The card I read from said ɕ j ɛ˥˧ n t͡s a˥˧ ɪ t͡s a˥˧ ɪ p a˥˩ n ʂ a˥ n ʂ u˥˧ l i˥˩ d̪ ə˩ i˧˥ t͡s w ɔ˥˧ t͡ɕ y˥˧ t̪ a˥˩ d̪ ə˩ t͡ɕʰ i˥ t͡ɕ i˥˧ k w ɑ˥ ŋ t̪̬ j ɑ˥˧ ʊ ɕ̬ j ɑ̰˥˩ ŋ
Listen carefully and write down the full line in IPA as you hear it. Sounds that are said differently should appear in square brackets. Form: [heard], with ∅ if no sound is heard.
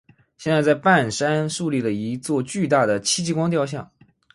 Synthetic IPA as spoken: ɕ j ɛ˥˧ n t͡s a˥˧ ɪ t͡s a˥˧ ɪ p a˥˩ n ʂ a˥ n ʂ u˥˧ l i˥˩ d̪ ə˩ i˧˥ t͡s w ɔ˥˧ t͡ɕ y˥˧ t̪ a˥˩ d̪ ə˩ t͡ɕʰ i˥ t͡ɕ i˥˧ k w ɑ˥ ŋ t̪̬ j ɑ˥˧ ʊ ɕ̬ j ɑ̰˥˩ ŋ